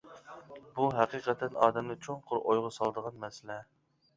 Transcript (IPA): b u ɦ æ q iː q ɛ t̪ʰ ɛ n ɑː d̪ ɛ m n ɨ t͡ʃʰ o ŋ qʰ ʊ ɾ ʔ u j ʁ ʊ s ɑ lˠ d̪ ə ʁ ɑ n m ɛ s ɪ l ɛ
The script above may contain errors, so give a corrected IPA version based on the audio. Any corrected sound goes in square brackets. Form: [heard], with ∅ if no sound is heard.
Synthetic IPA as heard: b u ɦ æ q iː q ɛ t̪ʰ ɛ n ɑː d̪ ɛ m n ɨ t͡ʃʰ o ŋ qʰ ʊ ɾ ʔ [o] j ʁ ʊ s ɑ lˠ d̪ ə ʁ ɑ n m ɛ s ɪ l ɛ